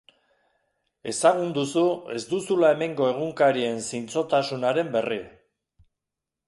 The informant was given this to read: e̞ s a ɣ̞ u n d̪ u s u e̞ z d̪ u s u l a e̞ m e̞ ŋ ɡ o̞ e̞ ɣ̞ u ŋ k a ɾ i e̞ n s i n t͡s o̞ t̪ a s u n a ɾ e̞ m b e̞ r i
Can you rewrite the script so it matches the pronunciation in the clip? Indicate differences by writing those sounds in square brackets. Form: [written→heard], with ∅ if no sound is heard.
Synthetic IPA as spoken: e̞ s a ɣ̞ u n d̪ u s u e̞ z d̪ u s u l a e̞ m e̞ ŋ ɡ o̞ e̞ ɣ̞ u ŋ k a ɾ i e̞ n s i n t͡s o̞ t̪ a s u n a ɾ e̞ m b e̞ r i